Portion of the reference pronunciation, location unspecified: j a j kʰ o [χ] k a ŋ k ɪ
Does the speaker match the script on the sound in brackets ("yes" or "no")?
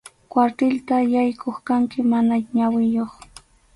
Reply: yes